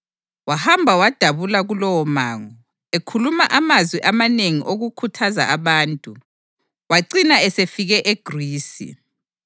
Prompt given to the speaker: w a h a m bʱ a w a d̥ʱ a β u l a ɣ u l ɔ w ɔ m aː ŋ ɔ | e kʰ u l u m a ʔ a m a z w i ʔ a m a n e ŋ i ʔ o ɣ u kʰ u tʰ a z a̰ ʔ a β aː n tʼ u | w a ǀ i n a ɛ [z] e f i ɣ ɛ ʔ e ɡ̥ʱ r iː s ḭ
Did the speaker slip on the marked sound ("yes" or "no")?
yes